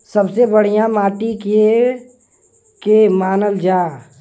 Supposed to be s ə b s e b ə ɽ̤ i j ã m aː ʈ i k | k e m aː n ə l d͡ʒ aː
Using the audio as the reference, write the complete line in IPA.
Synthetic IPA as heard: s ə b s e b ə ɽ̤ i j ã m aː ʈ i k | k e m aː n ə l d͡ʒ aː